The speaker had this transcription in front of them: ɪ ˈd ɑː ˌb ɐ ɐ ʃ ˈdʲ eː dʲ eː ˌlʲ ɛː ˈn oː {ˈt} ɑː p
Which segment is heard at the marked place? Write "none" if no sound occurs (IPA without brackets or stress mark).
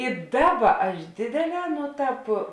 t